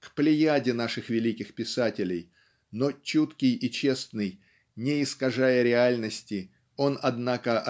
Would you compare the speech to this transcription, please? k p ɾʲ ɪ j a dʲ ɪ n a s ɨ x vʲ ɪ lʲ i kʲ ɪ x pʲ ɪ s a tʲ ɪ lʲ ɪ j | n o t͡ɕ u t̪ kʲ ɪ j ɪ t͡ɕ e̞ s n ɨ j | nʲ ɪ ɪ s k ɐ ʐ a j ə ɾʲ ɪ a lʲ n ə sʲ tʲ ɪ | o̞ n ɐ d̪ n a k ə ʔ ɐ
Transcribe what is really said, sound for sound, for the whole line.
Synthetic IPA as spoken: k p lʲ ɪ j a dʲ ɪ n a ʂ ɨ x vʲ ɪ lʲ i kʲ ɪ x pʲ ɪ s a tʲ ɪ lʲ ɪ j | n o t͡ɕ u t̪ kʲ ɪ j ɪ t͡ɕ e̞ s n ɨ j | nʲ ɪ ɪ s k ɐ ʐ a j ə ɾʲ ɪ a lʲ n ə sʲ tʲ ɪ | o̞ n ɐ d̪ n a k ə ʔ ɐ